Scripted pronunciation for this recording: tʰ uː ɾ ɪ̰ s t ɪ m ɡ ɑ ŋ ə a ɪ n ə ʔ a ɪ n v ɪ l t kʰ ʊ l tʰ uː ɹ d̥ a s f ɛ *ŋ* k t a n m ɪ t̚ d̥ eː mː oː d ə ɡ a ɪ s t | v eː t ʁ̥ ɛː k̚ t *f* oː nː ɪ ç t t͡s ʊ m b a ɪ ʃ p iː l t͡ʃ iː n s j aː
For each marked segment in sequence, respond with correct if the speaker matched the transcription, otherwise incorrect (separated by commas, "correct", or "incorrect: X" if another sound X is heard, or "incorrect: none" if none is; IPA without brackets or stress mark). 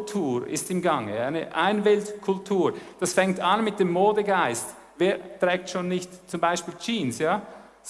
correct, incorrect: ʃ